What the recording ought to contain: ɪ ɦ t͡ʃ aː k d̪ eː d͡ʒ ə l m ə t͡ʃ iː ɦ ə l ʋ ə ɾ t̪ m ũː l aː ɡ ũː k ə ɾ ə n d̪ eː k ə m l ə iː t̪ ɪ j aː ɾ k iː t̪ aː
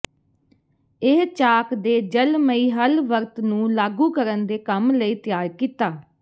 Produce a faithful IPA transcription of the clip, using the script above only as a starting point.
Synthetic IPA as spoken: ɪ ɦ t͡ʃ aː k d̪ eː d͡ʒ ə l m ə iː ɦ ə l ʋ ə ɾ t̪ n ũː l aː ɡ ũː k ə ɾ ə n d̪ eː k ə m l ə iː t̪ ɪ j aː ɾ k iː t̪ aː